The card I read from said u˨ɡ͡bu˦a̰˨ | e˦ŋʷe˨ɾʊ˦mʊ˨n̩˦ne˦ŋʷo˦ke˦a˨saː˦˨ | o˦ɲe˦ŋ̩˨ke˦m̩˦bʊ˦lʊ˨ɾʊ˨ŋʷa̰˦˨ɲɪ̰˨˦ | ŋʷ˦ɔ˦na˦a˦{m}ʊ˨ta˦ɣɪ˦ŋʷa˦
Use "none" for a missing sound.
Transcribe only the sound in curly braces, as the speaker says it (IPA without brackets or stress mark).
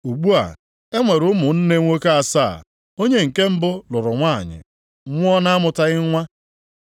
m